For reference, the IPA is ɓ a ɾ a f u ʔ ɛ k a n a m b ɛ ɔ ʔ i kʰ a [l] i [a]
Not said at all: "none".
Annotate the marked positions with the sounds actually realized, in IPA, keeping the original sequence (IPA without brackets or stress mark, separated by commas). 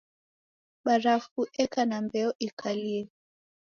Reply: l, ɛ